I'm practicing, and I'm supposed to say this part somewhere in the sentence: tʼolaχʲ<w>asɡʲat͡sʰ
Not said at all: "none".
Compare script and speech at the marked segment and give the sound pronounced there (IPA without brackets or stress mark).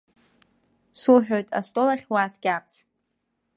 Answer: w